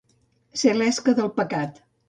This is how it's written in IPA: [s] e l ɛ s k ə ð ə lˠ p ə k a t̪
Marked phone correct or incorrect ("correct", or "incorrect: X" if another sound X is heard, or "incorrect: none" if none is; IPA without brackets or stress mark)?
correct